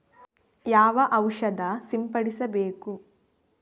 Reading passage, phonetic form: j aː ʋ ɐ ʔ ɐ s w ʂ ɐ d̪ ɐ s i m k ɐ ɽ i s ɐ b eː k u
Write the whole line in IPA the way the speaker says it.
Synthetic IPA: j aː ʋ ɐ ʔ ɐ w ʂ ɐ d̪ ɐ s i m p ɐ ɽ i s ɐ b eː k u